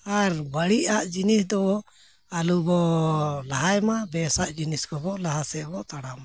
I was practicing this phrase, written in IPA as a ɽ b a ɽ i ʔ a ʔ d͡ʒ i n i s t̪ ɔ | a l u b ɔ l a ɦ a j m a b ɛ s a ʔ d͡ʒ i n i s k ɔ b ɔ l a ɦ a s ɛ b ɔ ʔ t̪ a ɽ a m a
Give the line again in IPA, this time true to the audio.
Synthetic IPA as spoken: a ɾ b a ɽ i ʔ a ʔ d͡ʒ i n i s d̪ ɔ | a l u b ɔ l a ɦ a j m a b ɛ s a ʔ d͡ʒ i n i s k ɔ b ɔ l a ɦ a s ɛ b ɔ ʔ t̪ a ɽ a m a